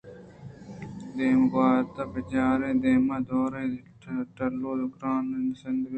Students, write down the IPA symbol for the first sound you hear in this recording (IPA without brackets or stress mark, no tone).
d̪